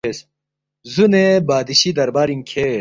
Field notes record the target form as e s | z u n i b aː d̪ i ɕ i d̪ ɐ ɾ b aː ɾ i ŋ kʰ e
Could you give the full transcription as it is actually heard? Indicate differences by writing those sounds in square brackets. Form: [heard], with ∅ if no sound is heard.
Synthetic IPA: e s | z u n [e] b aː d̪ i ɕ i d̪ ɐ ɾ b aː ɾ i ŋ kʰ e